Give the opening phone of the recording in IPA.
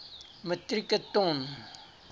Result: m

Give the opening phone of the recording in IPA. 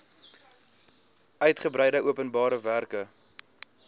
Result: œ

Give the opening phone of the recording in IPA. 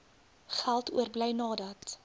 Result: χ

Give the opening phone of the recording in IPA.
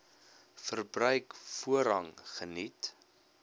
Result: f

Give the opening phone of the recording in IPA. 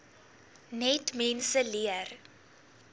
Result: n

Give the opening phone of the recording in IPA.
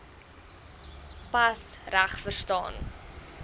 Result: p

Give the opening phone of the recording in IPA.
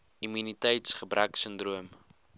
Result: i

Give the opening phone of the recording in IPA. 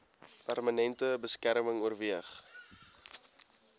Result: p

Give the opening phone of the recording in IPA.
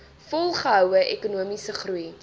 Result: f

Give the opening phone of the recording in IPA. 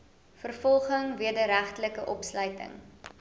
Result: f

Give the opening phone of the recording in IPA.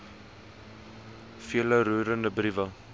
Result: f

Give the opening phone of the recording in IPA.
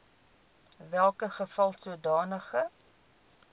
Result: v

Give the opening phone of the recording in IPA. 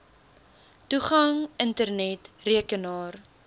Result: t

